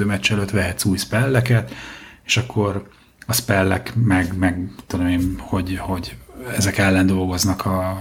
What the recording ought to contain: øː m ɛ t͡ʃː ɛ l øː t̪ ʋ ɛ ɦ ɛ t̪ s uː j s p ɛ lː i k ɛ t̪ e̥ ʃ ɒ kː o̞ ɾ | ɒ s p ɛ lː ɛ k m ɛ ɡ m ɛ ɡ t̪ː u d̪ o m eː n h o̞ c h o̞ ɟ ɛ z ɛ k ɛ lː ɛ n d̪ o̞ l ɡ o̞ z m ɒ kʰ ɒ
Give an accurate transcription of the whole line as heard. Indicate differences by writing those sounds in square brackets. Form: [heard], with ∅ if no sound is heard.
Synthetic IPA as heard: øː m ɛ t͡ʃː ɛ l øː t̪ ʋ ɛ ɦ ɛ t̪ s uː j s p ɛ lː [ɛ] k ɛ t̪ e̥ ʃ ɒ kː o̞ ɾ | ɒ s p ɛ lː ɛ k m ɛ ɡ m ɛ ɡ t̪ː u d̪ o m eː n h o̞ [ɟ] h o̞ ɟ ɛ z ɛ k ɛ lː ɛ n d̪ o̞ l ɡ o̞ z [n] ɒ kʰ ɒ